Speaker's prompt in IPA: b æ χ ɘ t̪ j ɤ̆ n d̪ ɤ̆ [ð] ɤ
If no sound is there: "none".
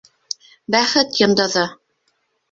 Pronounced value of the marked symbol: ð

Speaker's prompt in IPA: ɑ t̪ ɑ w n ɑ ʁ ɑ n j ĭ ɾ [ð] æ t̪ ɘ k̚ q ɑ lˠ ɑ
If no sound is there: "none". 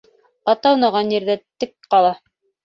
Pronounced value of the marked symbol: ð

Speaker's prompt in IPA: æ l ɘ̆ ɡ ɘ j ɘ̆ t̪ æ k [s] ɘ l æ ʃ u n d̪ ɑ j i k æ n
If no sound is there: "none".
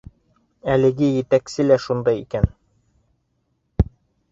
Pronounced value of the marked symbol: s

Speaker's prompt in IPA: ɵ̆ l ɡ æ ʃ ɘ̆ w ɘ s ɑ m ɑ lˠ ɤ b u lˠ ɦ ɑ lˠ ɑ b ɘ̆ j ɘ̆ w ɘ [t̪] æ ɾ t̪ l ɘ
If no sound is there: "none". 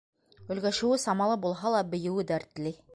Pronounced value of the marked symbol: d̪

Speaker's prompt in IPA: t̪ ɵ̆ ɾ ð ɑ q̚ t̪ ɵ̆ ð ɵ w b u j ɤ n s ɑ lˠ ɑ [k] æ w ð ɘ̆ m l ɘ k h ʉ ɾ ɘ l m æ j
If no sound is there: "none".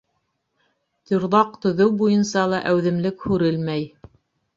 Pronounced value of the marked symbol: ʔ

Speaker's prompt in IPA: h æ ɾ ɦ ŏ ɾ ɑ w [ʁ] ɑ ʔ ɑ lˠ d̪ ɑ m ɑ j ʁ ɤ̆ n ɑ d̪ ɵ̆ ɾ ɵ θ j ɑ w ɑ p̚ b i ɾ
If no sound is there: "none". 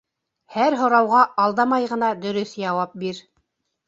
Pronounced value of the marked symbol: ʁ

